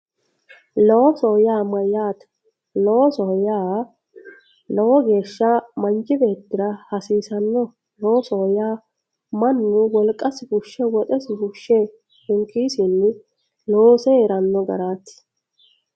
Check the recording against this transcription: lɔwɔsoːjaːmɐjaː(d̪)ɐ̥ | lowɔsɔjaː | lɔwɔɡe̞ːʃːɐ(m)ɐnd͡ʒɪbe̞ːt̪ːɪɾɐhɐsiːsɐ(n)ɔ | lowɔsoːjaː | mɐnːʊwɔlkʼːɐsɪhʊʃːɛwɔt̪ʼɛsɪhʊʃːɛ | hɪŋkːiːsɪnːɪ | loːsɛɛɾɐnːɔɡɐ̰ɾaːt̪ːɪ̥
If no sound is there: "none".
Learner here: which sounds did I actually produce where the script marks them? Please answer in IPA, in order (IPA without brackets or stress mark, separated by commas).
t̪, m, nː